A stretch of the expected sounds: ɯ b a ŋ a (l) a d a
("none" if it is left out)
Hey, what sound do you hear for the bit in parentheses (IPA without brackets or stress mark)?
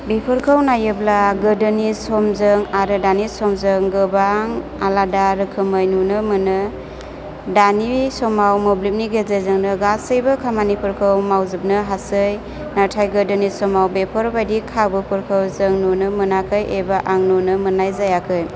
l